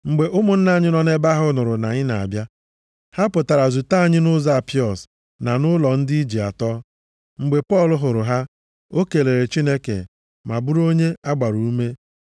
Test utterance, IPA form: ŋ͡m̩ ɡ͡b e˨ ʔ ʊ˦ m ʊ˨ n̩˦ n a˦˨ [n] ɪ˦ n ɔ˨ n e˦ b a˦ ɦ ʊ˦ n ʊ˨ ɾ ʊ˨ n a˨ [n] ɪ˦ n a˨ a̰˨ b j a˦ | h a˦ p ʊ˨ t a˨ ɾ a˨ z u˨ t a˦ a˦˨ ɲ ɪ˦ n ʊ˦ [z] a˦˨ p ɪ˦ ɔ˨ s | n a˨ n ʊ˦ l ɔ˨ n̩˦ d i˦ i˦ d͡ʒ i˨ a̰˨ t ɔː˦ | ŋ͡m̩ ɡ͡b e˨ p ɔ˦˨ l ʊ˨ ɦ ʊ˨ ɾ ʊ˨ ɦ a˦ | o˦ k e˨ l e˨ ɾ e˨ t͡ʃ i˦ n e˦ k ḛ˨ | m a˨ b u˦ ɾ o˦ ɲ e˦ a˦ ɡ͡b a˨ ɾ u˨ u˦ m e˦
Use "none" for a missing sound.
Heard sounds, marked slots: ɲ, ɲ, z

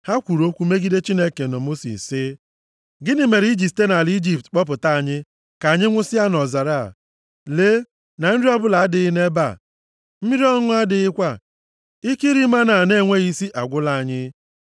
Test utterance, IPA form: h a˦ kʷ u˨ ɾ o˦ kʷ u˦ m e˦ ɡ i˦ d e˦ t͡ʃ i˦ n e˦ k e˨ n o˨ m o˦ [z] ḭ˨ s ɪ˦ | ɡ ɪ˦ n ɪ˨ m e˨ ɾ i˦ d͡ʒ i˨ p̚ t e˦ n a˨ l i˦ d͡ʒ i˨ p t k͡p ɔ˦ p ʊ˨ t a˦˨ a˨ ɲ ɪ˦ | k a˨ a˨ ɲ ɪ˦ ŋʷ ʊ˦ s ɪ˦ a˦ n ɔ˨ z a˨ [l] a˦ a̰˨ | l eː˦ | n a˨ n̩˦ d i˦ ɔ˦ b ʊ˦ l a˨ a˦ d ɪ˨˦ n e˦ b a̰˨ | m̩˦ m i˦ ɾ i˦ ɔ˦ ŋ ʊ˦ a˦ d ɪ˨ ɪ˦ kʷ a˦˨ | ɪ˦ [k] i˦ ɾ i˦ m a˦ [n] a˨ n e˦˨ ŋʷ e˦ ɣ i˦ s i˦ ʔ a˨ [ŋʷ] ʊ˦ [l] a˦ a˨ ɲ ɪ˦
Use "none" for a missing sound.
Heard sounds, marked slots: s, ɾ, k, n, ɡʷ, l

